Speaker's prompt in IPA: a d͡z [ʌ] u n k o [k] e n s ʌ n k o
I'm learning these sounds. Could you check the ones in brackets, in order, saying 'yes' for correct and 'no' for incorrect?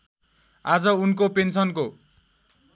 yes, no

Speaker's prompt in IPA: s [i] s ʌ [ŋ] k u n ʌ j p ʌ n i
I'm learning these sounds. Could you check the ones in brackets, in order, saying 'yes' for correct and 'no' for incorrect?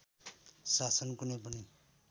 no, no

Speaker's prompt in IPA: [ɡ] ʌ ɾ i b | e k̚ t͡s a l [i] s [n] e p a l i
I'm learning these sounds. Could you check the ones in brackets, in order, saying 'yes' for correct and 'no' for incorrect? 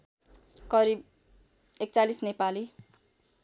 no, yes, yes

